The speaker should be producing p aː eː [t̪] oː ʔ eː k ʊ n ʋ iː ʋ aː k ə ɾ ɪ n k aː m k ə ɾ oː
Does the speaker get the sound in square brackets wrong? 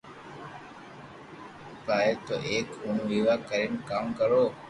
no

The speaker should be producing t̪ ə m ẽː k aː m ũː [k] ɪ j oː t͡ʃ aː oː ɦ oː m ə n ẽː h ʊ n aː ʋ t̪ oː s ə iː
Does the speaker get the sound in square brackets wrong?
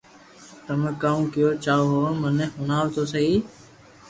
no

